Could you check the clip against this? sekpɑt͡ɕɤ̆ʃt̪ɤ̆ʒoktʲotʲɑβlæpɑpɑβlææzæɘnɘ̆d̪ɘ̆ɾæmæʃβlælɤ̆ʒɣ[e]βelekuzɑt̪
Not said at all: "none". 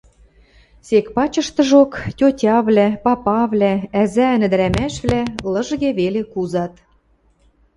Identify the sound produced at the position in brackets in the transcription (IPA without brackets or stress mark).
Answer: e